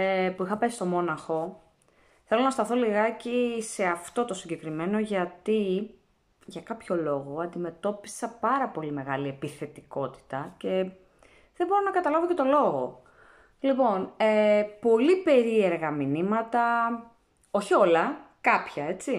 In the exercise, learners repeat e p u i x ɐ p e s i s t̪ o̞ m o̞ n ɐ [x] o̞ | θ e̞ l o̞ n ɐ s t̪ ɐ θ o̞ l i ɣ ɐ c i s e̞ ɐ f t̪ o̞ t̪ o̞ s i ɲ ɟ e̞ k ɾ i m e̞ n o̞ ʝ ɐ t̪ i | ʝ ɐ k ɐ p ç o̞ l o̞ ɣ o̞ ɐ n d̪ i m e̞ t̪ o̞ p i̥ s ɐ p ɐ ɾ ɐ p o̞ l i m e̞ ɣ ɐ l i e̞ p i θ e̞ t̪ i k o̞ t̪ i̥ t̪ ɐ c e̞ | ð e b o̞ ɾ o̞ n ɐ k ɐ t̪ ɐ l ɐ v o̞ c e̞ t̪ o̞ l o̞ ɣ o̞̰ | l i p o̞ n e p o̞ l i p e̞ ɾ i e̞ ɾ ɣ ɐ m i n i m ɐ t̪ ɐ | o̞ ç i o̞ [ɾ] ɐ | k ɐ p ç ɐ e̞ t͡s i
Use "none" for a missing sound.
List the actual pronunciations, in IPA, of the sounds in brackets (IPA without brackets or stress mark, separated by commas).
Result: x, l